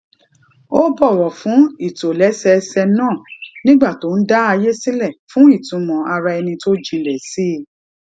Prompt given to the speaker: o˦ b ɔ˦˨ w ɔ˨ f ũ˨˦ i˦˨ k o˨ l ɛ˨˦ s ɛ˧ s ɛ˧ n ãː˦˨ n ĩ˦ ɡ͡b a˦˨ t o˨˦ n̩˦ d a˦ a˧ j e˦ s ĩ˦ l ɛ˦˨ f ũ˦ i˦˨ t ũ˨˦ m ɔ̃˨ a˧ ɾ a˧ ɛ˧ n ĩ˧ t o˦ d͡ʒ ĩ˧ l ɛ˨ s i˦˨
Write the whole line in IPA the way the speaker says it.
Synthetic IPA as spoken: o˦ b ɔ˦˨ w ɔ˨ f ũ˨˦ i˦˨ t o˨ l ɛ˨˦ s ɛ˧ s ɛ˧ n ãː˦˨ n ĩ˦ ɡ͡b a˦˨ t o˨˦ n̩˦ d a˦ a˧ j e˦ s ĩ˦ l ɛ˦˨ f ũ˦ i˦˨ t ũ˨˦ m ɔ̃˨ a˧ ɾ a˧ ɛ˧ n ĩ˧ t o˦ d͡ʒ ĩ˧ l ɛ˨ s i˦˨